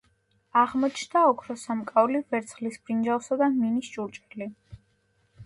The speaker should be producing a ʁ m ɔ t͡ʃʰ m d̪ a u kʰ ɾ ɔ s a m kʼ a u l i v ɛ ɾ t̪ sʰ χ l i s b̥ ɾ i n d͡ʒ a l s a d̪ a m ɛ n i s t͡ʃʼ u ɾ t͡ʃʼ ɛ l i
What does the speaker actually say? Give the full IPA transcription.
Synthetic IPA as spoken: a ʁ m ɔ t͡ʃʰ n d̪ a ɔ kʰ ɾ ɔ s a m kʼ a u l i v ɛ ɾ t̪ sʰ χ l i s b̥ ɾ i n d͡ʒ a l s a d̪ a m i n i s t͡ʃʼ u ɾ t͡ʃʼ ɛ l i